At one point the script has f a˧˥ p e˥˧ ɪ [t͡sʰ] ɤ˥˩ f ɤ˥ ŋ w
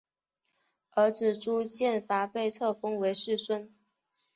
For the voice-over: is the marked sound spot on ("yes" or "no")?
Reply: yes